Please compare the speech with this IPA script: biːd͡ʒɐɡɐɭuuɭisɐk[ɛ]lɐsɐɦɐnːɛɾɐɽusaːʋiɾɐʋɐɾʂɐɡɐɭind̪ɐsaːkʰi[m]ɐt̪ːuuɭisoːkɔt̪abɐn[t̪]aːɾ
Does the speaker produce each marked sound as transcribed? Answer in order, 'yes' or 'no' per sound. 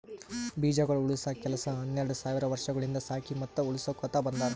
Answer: yes, yes, no

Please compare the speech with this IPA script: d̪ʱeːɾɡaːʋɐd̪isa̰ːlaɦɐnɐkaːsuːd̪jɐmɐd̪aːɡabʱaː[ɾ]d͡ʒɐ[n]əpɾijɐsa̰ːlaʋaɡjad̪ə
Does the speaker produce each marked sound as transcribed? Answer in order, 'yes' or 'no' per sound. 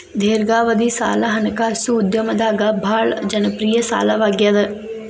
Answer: no, yes

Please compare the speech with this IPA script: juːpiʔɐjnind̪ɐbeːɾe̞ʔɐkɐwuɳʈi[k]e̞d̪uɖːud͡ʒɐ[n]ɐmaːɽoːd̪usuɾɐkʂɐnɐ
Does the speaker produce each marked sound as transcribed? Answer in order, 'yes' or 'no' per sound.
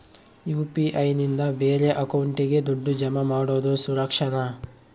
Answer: no, no

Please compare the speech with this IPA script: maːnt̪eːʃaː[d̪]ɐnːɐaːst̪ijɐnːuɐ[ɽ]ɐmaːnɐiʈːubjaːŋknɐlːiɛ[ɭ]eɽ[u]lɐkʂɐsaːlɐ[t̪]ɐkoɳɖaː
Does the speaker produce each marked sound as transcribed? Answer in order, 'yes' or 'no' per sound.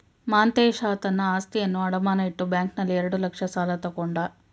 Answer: no, yes, no, yes, yes

